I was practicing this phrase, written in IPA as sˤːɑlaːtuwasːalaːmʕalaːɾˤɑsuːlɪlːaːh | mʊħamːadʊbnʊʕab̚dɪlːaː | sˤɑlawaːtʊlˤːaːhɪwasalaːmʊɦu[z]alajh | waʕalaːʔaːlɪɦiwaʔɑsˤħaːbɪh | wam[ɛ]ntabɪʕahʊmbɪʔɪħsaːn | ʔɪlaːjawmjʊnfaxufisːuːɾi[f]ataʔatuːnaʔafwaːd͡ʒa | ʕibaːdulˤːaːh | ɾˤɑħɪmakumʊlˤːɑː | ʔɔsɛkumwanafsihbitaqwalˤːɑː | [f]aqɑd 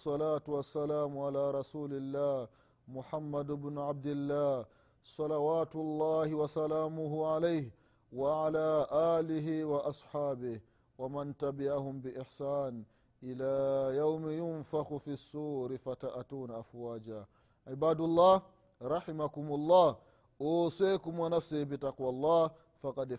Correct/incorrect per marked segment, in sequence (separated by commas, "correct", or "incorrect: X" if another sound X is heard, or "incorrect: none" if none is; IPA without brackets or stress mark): incorrect: ʕ, incorrect: a, correct, correct